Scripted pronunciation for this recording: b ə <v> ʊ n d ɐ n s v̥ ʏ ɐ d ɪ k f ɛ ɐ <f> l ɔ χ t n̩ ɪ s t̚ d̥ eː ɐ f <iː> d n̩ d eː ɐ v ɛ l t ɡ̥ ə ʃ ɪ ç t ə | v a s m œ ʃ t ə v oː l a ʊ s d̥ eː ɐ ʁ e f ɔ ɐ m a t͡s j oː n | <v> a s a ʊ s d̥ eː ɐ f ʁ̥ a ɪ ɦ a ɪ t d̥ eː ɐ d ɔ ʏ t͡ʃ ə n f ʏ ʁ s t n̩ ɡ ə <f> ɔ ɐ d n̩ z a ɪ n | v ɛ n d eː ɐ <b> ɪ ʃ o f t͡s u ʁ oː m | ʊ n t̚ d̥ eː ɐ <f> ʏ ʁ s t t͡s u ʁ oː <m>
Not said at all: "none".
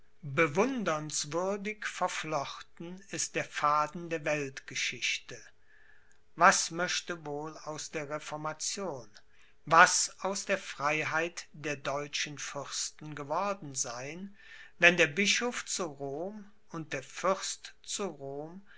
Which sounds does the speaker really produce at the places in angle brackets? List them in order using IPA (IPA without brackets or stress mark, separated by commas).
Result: v, f, aː, v, v, b, f, m